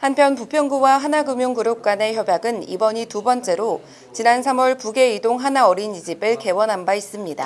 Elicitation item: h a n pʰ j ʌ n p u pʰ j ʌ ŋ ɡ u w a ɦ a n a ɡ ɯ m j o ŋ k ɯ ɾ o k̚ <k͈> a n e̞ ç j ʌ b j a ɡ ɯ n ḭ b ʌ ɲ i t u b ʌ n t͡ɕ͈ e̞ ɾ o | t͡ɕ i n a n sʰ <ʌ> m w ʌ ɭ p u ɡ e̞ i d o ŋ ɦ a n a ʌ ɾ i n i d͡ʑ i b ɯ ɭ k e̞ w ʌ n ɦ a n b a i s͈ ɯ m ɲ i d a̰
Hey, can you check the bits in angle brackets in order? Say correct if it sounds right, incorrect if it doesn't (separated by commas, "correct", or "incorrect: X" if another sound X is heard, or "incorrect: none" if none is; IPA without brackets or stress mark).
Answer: correct, incorrect: a